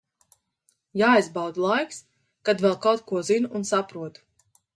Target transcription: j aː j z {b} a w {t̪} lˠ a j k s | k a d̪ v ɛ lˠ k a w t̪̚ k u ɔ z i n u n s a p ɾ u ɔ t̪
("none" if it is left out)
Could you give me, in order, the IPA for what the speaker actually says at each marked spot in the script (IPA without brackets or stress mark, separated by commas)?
b, d̪